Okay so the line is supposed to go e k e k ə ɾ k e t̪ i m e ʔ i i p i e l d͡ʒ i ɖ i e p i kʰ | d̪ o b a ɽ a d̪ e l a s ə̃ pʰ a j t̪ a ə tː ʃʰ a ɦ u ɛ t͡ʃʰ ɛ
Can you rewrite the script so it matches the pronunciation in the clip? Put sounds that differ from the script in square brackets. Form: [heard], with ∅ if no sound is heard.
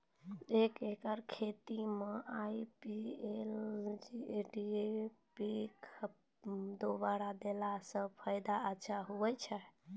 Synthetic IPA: e k e k ə ɾ [kʰ] e t̪ i m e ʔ [a] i p i e l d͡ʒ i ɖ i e p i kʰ | d̪ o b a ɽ a d̪ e l a s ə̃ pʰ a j [d̪] a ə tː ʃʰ a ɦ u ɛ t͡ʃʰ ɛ